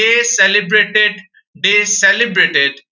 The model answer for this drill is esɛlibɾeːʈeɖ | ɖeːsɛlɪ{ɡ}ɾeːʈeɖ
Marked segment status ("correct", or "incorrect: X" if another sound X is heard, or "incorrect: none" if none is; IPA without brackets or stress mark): incorrect: b